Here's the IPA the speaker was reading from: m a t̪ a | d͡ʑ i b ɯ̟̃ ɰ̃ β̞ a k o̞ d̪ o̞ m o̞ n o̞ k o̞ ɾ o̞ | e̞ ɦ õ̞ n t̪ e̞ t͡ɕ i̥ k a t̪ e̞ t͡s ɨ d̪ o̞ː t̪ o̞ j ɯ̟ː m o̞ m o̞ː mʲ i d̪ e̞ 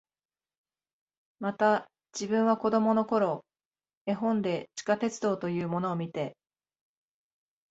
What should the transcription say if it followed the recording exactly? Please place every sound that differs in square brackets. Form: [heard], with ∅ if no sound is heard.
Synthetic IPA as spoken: m a t̪ a | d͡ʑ i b ɯ̟̃ ɰ̃ β̞ a k o̞ d̪ o̞ m o̞ n o̞ k o̞ ɾ o̞ | e̞ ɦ õ̞ n [d̪] e̞ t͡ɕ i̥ k a t̪ e̞ t͡s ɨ d̪ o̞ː t̪ o̞ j ɯ̟ː m o̞ [n] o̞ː mʲ i [t̪] e̞